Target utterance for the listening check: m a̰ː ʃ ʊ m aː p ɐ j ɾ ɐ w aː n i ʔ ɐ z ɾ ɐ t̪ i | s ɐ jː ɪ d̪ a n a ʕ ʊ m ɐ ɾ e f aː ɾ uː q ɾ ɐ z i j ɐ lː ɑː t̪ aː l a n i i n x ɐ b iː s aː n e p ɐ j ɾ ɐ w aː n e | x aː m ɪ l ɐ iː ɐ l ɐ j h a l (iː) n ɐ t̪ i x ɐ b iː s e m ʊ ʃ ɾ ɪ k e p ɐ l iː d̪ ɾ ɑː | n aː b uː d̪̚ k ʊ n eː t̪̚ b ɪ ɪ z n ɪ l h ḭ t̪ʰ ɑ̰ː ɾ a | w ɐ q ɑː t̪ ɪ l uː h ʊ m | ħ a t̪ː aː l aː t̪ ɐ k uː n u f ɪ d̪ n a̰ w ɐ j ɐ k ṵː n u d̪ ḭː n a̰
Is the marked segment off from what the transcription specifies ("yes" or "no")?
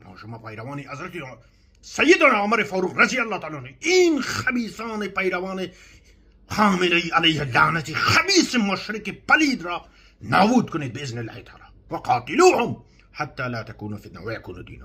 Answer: yes